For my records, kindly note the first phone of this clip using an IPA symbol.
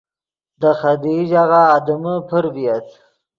d̪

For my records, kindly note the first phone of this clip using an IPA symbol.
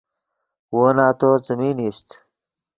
w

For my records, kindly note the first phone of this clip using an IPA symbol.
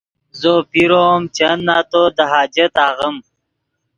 z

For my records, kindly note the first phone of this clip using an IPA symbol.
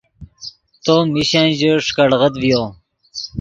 t̪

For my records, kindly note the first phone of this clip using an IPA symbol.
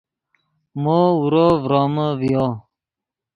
m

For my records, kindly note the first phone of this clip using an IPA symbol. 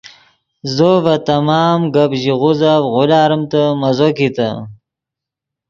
z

